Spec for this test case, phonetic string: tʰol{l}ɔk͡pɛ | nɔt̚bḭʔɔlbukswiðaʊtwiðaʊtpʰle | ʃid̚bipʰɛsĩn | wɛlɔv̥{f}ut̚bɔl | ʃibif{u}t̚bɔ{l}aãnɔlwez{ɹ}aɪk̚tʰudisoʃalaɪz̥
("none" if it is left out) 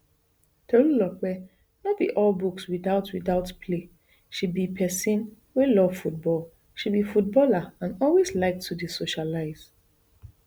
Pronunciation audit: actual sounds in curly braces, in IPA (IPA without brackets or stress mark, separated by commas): l, f, u, l, l